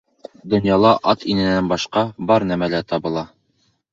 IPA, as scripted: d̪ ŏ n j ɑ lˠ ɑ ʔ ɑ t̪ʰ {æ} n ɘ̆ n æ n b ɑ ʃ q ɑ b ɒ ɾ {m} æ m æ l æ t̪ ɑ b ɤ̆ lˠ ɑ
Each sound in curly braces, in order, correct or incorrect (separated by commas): incorrect, incorrect